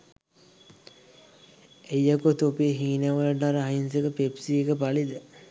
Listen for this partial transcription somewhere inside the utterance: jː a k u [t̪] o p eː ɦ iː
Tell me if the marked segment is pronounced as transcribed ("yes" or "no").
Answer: yes